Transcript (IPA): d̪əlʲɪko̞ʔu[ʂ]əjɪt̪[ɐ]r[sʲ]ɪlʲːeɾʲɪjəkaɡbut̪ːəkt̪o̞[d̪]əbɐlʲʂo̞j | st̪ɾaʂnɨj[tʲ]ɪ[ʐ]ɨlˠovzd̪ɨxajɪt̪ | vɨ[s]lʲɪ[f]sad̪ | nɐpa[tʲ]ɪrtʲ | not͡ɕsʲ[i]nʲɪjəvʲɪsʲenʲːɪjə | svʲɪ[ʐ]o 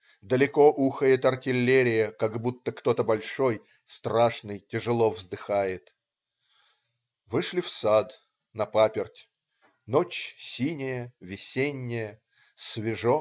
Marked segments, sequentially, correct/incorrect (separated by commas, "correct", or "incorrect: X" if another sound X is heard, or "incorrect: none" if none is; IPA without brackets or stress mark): incorrect: x, correct, incorrect: tʲ, incorrect: t̪, correct, correct, incorrect: ʂ, correct, incorrect: pʲ, correct, correct